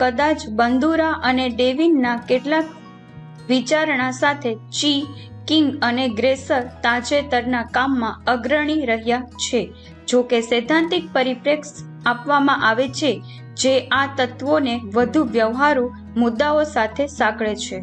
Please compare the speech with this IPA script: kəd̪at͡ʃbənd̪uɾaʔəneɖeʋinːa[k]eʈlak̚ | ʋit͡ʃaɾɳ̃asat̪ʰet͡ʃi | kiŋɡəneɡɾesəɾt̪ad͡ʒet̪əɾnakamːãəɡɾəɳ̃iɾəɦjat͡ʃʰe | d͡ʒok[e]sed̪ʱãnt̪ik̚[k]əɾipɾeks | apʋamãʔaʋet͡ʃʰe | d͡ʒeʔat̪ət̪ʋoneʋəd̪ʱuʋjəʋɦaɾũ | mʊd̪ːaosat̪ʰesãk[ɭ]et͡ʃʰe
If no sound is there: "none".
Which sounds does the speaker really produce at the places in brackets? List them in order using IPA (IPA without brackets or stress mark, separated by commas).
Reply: k, e, p, ɭ